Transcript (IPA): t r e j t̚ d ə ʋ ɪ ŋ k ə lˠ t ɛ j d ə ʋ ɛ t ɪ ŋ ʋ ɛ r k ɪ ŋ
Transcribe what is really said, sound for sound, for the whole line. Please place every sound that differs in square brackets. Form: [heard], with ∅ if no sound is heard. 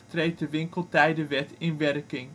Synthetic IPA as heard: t r e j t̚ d ə ʋ ɪ ŋ k ə lˠ t ɛ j d ə ʋ ɛ t ɪ [n] ʋ ɛ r k ɪ ŋ